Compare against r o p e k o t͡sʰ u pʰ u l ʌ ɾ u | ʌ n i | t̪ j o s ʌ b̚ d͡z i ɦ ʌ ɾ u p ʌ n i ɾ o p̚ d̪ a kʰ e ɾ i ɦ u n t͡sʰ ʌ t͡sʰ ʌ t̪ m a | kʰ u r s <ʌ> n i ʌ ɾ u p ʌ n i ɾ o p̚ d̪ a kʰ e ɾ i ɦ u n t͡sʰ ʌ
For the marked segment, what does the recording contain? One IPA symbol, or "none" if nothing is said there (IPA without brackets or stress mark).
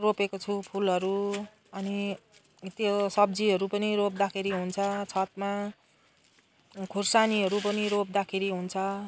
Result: a